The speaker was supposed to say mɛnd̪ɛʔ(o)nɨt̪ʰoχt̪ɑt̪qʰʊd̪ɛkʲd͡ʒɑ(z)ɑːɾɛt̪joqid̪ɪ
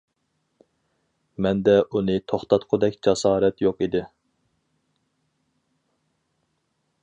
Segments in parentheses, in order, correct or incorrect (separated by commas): incorrect, incorrect